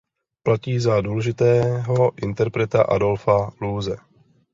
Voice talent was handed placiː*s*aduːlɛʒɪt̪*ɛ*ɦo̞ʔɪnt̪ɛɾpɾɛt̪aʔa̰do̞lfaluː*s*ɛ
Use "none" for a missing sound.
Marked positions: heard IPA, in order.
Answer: z, ɛː, z

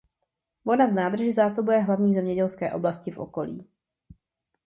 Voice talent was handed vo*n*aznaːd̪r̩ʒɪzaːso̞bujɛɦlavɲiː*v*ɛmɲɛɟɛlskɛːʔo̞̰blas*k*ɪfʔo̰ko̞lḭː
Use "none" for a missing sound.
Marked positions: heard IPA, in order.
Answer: n, z, c

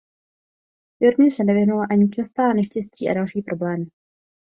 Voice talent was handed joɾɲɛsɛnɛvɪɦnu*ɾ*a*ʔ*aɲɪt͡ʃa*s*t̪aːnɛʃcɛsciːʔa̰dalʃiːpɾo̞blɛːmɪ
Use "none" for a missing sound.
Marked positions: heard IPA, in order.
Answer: l, ʔ, s

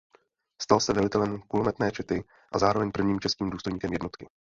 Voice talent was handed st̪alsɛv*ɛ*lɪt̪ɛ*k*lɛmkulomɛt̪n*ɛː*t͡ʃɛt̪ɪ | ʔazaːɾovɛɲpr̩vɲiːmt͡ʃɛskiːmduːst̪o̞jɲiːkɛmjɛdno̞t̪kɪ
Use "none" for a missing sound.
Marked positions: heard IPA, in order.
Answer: ɛ, none, ɛː

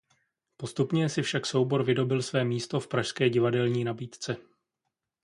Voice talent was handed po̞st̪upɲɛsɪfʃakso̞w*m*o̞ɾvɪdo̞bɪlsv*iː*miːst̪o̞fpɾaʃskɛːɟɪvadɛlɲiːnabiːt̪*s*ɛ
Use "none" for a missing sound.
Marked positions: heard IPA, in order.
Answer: b, ɛː, t͡s

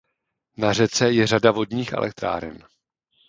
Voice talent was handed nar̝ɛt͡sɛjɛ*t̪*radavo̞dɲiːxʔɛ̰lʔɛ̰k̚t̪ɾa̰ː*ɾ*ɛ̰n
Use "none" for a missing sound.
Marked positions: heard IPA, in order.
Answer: none, ɾ

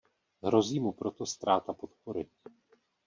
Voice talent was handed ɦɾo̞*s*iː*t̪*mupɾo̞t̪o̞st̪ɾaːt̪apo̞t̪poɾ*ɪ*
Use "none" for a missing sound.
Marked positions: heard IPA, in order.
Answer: z, none, ɪ

